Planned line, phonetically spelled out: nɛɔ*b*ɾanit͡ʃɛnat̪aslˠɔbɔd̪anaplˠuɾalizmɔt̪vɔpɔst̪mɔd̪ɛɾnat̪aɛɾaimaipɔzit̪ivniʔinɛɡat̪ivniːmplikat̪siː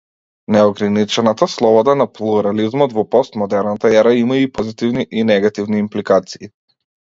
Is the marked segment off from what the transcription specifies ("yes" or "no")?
yes